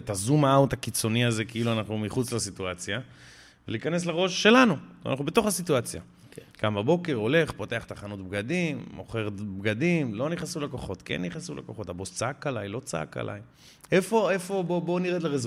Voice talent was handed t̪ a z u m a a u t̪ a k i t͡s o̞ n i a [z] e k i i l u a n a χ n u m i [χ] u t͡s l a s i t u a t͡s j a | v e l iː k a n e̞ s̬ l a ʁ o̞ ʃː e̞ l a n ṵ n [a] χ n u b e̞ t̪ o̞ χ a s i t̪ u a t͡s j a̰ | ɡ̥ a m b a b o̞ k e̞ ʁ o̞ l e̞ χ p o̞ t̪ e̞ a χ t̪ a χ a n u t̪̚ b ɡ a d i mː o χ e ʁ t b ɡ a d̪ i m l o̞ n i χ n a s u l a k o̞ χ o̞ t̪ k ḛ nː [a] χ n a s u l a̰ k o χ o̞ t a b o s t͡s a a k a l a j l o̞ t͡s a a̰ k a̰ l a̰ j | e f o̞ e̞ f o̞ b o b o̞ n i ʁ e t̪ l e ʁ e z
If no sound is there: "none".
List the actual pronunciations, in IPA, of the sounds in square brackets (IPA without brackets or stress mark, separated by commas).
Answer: z, χ, a, i